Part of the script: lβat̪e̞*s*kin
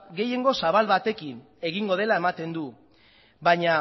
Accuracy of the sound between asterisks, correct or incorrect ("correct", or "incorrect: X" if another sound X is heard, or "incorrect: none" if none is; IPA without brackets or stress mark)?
incorrect: none